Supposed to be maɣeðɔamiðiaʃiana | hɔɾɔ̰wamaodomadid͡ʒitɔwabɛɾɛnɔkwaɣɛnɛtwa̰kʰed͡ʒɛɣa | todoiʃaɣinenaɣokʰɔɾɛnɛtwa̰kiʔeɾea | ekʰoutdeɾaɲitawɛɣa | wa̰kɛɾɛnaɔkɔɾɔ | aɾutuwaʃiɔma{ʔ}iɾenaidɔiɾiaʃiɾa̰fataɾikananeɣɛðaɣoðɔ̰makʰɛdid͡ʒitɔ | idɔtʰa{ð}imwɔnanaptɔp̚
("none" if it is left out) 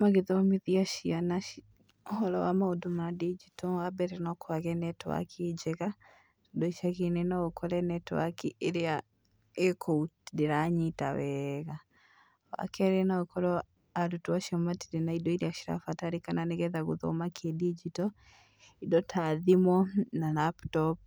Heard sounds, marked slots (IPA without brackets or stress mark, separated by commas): t, ð